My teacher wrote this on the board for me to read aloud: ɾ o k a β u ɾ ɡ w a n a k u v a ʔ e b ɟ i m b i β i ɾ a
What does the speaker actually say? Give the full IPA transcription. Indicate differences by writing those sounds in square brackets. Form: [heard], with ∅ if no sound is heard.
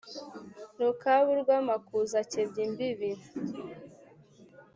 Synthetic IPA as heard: ɾ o k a β u ɾ ɡ w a [m] a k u [z] a [c] e b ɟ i m b i β i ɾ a